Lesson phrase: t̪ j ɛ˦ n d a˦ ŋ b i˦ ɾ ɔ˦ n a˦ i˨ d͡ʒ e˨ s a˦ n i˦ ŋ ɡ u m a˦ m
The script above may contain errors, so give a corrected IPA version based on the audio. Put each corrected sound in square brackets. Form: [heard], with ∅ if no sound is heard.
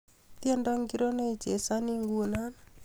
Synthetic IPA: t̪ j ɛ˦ n d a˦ ŋ [ɡ] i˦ ɾ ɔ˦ n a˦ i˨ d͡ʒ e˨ s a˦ n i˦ ŋ ɡ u [n] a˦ [n]